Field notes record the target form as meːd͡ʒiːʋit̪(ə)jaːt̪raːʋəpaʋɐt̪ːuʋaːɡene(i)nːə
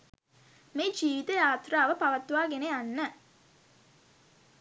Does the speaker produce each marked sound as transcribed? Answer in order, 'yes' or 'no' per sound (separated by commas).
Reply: yes, no